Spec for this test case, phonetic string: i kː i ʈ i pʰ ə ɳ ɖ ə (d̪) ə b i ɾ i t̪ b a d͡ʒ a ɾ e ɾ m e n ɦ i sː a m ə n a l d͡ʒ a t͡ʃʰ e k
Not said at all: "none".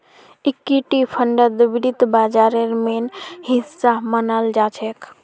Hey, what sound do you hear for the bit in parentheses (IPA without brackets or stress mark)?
d̪